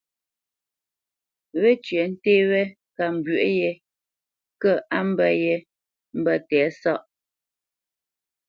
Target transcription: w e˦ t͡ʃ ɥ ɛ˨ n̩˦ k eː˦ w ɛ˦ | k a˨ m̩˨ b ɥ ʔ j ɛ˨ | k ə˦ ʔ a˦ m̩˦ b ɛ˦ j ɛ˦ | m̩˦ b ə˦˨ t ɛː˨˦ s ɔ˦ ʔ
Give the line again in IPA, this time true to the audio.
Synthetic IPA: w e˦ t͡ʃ ɥ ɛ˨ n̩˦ t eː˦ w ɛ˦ | k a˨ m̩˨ b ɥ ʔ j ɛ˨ | k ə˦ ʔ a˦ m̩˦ b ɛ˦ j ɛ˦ | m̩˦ b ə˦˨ t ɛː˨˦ s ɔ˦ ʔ